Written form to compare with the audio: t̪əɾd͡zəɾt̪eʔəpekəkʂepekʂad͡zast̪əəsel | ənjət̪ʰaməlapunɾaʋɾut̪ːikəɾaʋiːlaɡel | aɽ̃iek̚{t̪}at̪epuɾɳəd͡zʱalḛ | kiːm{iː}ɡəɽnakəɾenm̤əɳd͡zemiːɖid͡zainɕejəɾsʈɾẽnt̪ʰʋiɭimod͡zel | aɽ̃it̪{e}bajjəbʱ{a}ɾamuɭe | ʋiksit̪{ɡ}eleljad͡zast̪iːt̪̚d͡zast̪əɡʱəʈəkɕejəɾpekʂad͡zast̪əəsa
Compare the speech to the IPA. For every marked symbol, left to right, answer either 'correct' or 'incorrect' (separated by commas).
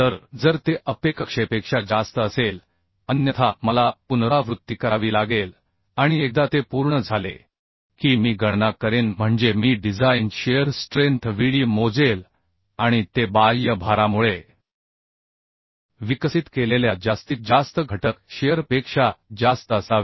incorrect, correct, correct, correct, incorrect